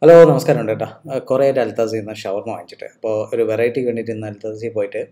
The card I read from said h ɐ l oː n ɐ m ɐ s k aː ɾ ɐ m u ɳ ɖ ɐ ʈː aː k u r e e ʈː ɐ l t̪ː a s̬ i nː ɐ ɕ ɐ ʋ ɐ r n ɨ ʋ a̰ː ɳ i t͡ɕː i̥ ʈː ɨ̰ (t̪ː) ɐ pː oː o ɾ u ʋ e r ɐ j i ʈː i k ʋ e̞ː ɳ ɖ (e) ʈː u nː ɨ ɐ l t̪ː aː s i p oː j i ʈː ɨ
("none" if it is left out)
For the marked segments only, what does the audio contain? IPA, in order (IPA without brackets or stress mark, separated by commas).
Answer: none, i